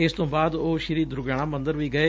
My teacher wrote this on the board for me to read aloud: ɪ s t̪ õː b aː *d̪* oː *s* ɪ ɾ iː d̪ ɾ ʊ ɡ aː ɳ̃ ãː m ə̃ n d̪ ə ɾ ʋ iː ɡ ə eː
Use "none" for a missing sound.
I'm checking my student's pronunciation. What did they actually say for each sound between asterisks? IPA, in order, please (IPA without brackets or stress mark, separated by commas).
d̪, ʃ